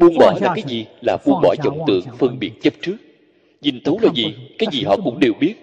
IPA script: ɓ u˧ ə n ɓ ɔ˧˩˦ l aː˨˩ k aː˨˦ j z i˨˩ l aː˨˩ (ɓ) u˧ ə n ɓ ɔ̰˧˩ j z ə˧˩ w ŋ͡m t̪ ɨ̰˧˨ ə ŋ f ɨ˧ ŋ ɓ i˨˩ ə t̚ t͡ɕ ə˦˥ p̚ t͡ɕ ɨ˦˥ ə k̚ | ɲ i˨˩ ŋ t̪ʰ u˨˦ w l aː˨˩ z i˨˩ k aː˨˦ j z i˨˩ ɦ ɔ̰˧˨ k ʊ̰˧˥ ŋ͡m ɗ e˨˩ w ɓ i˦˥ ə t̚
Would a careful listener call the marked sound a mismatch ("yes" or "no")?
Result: no